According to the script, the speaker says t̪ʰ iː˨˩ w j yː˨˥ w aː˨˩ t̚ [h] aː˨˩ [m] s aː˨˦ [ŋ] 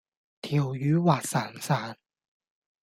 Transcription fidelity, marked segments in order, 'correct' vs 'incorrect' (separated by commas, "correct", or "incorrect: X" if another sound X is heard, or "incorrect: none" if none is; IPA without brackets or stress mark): incorrect: s, incorrect: n, incorrect: n